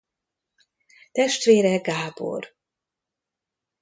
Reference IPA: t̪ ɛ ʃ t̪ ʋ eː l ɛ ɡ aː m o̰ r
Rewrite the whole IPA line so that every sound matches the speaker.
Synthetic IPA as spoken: t̪ ɛ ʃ t̪ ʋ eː ɾ ɛ ɡ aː b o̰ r